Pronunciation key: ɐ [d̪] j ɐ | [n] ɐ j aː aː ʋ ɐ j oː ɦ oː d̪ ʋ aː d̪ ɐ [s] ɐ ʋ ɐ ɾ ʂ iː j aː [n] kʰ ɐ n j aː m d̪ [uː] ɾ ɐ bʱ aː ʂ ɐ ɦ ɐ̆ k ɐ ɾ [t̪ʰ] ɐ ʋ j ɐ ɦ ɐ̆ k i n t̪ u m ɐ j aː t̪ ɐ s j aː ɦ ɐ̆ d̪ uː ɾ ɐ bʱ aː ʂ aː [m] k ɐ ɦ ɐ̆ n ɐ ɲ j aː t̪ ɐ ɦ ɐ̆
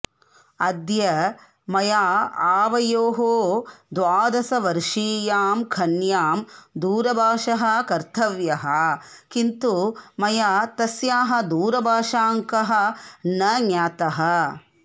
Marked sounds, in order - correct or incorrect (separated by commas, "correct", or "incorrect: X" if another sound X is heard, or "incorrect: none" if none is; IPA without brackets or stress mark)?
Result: correct, incorrect: m, correct, incorrect: m, correct, correct, incorrect: ŋ